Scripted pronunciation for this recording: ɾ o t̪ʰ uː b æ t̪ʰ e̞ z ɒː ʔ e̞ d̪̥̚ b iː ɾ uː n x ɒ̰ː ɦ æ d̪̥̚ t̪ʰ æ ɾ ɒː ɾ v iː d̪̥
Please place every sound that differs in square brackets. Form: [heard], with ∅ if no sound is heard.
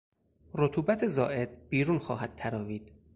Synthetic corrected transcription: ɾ o t̪ʰ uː b æ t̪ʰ e̞ z ɒː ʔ e̞ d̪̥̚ b iː ɾ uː n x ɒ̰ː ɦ æ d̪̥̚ t̪ʰ æ ɾ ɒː [∅] v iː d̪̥

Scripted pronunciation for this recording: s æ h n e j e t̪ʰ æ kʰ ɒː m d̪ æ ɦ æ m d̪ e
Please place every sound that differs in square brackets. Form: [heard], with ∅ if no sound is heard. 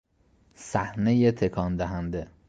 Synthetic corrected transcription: s æ h n e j e t̪ʰ [e] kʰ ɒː [n] d̪ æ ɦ æ [n] d̪ e

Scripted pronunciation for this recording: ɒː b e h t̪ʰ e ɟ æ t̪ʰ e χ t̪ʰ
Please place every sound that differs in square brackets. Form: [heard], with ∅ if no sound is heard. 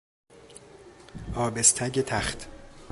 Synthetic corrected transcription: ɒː b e [s] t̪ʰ [æ] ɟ [e] t̪ʰ [æ] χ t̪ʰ

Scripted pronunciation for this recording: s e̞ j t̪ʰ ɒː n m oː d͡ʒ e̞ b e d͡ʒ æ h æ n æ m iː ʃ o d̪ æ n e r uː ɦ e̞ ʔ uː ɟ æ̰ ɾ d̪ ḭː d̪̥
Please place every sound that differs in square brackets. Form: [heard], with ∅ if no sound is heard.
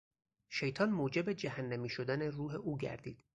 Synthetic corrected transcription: [ʃ] e̞ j t̪ʰ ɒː n m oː d͡ʒ e̞ b e d͡ʒ æ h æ [nː] æ m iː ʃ o d̪ æ n e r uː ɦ e̞ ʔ uː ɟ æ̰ ɾ d̪ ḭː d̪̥

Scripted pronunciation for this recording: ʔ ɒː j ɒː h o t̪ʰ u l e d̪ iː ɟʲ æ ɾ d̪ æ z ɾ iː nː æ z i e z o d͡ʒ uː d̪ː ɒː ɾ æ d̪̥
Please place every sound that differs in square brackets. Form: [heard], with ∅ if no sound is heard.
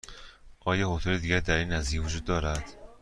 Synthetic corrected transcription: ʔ ɒː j ɒː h o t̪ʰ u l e d̪ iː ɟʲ æ ɾ d̪ æ [∅] ɾ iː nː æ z i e [v] o d͡ʒ uː d̪ː ɒː ɾ æ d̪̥

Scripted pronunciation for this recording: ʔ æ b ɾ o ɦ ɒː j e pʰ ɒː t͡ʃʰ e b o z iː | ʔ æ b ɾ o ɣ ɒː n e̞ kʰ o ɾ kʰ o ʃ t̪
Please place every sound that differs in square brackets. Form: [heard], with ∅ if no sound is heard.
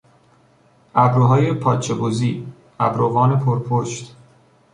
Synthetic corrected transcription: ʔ æ b ɾ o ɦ ɒː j e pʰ ɒː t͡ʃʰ e b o z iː | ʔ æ b ɾ o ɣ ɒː n e̞ [pʰ] o ɾ [pʰ] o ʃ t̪

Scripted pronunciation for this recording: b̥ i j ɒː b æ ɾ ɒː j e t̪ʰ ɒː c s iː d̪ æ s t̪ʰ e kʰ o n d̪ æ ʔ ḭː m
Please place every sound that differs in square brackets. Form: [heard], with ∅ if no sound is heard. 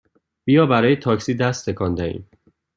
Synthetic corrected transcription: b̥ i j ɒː b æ ɾ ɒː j e t̪ʰ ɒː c s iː d̪ æ s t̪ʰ e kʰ [ɒ] n d̪ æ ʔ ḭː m

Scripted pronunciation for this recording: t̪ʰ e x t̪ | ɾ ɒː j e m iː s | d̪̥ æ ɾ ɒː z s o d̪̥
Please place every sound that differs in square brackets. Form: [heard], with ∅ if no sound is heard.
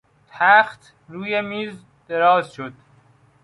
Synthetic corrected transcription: t̪ʰ [æ] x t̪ | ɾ [uː] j e m iː [z] | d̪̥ [e] ɾ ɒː z [ʃ] o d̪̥

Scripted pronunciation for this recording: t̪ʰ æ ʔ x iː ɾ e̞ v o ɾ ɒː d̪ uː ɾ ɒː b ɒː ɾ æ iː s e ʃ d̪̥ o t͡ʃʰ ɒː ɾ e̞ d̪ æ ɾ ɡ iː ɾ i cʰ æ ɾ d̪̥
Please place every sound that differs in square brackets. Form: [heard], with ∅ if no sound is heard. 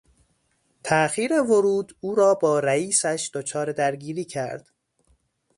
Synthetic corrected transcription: t̪ʰ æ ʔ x iː ɾ e̞ v o ɾ [uː] d̪ uː ɾ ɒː b ɒː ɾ æ iː s [æ] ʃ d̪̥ o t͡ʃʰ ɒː ɾ e̞ d̪ æ ɾ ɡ iː ɾ [iː] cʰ æ ɾ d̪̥

